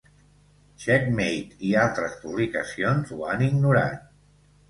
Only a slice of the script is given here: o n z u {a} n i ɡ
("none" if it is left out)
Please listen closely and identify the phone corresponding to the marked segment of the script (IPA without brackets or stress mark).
a